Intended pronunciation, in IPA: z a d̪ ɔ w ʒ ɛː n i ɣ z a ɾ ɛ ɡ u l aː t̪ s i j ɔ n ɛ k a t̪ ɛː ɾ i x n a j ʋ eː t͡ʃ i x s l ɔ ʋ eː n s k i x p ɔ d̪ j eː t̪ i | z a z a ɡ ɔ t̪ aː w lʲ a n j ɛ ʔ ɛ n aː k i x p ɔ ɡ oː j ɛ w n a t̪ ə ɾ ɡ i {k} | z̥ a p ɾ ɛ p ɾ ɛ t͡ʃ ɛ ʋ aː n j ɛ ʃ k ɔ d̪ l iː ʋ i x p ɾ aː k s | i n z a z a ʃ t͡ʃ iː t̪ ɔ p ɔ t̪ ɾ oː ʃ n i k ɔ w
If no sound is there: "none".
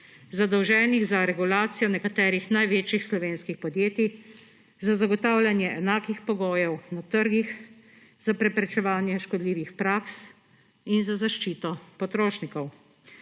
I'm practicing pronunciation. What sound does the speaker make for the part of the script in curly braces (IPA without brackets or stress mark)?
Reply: x